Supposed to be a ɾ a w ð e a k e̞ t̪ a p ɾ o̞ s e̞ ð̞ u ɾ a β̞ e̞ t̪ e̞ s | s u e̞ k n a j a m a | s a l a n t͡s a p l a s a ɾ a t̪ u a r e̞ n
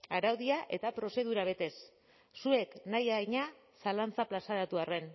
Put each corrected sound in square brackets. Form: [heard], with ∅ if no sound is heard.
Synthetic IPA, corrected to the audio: a ɾ a w ð [i] a [ʔ] e̞ t̪ a p ɾ o̞ s e̞ ð̞ u ɾ a β̞ e̞ t̪ e̞ s | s u e̞ k n a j a [ɲ] a | s a l a n t͡s a p l a s a ɾ a t̪ u a r e̞ n